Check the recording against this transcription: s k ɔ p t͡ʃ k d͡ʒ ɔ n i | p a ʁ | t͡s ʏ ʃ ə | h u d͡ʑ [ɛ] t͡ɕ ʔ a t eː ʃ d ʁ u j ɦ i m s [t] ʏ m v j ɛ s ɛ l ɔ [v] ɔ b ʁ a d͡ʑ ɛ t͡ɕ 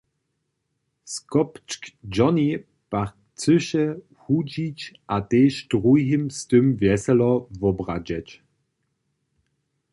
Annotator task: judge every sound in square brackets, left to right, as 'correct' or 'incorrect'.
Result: incorrect, correct, correct

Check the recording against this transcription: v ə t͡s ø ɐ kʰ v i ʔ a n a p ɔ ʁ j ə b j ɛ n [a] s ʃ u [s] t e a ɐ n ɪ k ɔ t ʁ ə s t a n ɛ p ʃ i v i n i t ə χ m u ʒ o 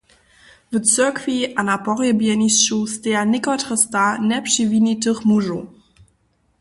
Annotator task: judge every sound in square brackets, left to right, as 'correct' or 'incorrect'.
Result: incorrect, correct

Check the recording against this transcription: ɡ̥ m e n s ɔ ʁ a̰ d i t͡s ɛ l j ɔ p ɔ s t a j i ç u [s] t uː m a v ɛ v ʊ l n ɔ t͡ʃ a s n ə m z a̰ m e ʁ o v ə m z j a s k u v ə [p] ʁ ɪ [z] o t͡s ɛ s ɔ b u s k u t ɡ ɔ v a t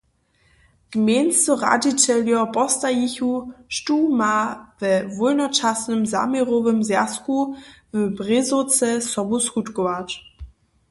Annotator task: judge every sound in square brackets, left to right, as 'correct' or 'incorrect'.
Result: incorrect, incorrect, correct

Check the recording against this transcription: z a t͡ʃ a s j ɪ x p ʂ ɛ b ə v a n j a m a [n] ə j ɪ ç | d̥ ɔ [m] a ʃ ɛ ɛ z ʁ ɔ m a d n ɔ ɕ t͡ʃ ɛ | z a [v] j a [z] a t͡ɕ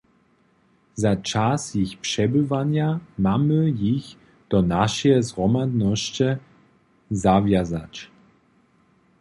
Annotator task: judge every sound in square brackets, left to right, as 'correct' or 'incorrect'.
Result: incorrect, incorrect, correct, correct

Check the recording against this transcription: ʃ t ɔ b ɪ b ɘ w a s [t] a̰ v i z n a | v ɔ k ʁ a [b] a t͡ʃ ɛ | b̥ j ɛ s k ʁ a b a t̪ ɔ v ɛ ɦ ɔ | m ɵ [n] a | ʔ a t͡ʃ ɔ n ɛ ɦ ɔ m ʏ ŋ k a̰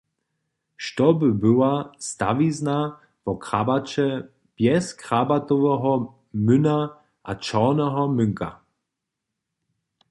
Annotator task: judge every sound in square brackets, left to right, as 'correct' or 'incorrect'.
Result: correct, correct, correct

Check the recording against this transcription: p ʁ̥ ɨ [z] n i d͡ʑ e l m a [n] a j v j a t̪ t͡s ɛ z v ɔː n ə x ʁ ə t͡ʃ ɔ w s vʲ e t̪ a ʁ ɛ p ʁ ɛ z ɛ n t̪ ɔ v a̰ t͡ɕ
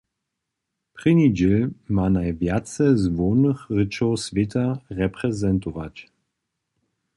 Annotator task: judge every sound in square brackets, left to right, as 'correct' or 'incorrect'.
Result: incorrect, correct

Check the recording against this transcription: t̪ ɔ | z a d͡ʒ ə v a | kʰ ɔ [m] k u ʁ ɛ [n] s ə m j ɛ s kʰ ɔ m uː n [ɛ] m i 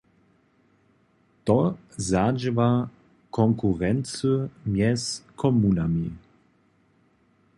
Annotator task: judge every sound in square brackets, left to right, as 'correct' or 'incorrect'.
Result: incorrect, correct, incorrect

